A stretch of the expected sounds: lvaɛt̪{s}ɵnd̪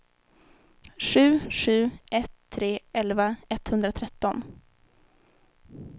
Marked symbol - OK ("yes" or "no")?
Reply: no